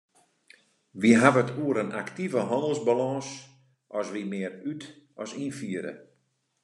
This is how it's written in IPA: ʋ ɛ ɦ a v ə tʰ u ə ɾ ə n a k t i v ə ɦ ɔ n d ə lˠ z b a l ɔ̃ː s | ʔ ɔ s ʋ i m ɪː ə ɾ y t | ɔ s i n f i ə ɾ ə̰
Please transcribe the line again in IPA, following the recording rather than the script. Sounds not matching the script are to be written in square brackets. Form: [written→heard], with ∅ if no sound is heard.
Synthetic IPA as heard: ʋ [ɛ→i] ɦ a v ə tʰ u ə ɾ ə n a k t i v ə ɦ ɔ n d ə lˠ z b a l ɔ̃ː s | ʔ ɔ s ʋ i m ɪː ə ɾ y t | ɔ s i n f i ə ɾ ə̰